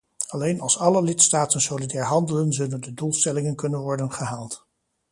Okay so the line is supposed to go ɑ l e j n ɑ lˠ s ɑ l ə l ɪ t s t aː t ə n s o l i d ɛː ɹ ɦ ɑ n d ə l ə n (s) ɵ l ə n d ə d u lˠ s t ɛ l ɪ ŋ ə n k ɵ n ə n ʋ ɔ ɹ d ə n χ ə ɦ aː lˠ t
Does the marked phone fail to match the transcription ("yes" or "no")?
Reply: yes